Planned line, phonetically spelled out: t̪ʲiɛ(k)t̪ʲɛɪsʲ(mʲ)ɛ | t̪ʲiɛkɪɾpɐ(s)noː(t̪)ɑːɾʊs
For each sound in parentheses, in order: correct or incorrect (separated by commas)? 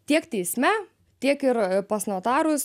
correct, correct, correct, correct